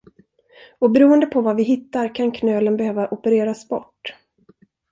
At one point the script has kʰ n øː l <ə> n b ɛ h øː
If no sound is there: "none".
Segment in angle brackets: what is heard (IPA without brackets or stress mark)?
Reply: ə